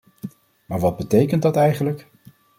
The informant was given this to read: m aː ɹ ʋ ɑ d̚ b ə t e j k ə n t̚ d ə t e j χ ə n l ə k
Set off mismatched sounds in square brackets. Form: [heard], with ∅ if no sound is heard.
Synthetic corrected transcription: m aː ɹ ʋ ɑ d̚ b ə t e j k ə n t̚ d [ɑ] t [ɛ] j χ ə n l ə k